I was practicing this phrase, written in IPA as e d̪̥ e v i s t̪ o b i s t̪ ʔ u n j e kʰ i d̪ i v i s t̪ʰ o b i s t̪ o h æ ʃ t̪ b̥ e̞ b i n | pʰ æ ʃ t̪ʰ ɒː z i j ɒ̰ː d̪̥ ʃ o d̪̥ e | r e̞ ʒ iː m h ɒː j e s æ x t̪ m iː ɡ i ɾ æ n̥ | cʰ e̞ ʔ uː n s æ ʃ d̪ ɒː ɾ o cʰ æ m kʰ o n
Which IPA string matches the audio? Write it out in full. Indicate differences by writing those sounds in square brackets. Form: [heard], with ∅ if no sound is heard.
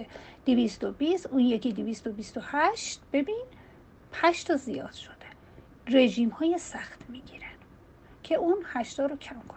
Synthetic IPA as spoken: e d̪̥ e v i s t̪ o b i s t̪ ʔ u n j e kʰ i d̪ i v i s [t̪] o b i s t̪ o h æ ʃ t̪ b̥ e̞ b i n | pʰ æ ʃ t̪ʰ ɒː z i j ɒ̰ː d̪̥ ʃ o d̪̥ e | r e̞ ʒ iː m h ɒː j e s æ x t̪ m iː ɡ i ɾ æ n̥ | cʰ e̞ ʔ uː n [h] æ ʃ [t̪] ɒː ɾ o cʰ æ m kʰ o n